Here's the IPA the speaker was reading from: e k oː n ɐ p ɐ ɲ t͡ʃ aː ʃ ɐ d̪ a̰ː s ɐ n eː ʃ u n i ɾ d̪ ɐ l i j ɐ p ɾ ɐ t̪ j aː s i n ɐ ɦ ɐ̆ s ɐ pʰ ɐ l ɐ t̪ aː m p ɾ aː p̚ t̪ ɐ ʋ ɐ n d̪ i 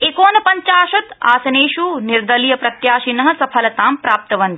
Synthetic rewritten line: e k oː n ɐ p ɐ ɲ t͡ʃ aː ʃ ɐ t̪ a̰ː s ɐ n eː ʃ u n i ɾ d̪ ɐ l i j ɐ p ɾ ɐ t̪ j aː ʃ i n ɐ ɦ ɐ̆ s ɐ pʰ ɐ l ɐ t̪ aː m p ɾ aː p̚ t̪ ɐ ʋ ɐ n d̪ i